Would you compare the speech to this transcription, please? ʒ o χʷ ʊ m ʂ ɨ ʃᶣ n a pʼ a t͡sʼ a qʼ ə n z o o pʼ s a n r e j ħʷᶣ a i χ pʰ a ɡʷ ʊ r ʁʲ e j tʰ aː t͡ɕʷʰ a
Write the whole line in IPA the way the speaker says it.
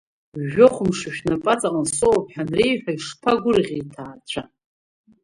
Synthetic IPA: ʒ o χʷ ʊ m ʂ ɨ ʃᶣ n a pʼ a t͡sʼ a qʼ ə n s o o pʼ ħ a n r e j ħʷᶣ a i ʂ pʰ a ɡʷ ʊ r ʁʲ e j tʰ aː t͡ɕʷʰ a